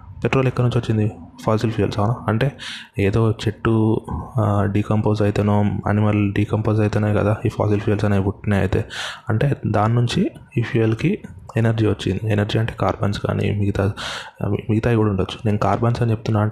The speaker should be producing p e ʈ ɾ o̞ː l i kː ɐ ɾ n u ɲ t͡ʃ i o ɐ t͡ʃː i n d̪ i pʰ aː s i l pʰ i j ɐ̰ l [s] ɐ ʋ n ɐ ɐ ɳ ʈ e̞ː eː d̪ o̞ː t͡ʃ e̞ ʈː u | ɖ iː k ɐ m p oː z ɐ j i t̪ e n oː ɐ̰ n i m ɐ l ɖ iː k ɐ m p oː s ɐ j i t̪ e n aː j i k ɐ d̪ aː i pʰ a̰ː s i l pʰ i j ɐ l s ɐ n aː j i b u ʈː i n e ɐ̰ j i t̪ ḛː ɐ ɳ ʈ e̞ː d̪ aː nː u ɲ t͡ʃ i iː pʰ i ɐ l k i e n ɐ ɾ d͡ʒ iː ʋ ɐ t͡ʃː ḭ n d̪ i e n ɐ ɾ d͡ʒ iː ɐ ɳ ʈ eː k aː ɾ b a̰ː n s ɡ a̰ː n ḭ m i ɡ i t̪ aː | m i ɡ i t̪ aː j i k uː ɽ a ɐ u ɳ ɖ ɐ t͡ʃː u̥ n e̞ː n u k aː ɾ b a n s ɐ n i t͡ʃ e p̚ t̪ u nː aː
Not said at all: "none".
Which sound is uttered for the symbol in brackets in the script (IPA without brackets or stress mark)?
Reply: s